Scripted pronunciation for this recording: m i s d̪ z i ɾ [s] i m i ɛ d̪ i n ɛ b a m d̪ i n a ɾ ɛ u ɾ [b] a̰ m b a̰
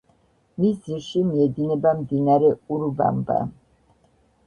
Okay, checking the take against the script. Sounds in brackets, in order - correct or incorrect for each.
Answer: incorrect: ʃ, correct

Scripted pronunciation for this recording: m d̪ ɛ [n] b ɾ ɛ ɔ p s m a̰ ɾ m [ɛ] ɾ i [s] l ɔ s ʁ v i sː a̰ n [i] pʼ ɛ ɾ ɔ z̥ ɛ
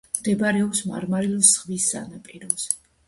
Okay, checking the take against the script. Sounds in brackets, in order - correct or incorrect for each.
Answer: incorrect: none, incorrect: a, incorrect: none, incorrect: a

